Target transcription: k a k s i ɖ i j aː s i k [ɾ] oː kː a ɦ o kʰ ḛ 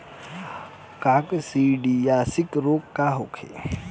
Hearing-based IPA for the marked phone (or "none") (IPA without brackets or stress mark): ɾ